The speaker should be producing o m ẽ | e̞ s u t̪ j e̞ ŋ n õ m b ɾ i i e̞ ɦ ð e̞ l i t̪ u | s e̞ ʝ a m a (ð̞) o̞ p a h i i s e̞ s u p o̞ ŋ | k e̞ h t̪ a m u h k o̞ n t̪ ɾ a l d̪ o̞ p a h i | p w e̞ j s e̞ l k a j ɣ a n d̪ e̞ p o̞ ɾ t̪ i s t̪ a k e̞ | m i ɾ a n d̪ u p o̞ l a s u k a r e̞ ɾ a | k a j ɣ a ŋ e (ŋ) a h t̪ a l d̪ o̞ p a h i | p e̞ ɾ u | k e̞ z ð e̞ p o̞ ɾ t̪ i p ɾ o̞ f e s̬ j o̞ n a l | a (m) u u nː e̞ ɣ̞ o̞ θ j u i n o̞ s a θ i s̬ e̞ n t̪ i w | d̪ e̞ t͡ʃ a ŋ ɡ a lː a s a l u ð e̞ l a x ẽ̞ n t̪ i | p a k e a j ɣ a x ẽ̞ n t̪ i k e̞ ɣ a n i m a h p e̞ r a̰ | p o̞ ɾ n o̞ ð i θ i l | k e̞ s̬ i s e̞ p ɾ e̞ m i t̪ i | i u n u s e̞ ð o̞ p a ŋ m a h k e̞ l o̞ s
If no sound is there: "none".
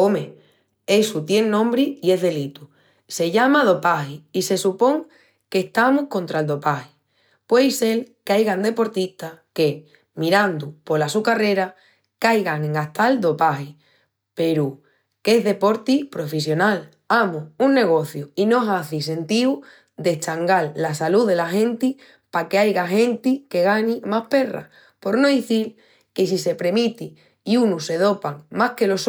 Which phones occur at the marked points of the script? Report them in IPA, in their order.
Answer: ð̞, ŋ, m

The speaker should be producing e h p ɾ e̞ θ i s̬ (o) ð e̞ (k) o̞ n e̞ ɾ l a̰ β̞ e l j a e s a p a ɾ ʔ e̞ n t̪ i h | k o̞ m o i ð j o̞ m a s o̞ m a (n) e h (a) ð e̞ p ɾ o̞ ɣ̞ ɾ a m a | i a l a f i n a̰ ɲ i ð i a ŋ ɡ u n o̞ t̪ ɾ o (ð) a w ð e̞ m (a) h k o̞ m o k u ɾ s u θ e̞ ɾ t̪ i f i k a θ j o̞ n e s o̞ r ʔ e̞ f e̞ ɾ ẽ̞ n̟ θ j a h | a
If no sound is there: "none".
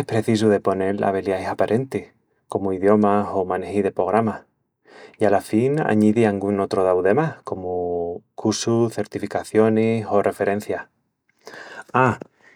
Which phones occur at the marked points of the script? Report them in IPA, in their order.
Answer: u, p, n, i, ð, a

